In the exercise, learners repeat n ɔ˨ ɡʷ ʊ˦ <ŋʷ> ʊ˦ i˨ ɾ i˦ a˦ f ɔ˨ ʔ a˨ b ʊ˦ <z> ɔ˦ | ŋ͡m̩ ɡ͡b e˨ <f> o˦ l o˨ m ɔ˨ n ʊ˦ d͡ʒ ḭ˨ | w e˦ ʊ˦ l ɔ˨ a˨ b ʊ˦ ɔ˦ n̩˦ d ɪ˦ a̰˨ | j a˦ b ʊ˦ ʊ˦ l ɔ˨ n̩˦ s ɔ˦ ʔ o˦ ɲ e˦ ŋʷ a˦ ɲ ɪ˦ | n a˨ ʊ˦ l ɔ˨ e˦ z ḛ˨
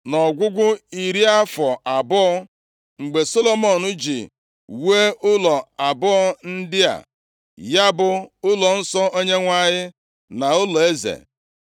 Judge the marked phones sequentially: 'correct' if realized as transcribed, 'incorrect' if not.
incorrect, incorrect, incorrect

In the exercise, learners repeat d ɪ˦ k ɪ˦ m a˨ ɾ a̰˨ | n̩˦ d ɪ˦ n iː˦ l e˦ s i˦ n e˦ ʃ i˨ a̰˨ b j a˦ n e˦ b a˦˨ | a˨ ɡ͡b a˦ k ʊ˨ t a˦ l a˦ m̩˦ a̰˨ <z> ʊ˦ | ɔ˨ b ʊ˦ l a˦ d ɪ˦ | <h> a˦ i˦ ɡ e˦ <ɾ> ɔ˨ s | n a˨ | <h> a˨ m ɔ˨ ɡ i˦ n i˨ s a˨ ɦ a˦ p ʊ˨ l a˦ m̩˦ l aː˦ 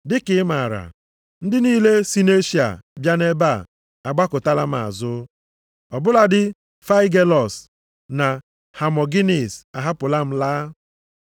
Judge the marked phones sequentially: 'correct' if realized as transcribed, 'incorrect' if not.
correct, incorrect, incorrect, correct

